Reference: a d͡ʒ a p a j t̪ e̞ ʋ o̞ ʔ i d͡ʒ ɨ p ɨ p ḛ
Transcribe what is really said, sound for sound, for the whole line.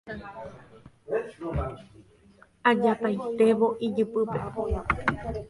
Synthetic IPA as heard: a d͡ʒ a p a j t̪ e̞ ʋ o̞ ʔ i d͡ʒ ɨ p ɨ p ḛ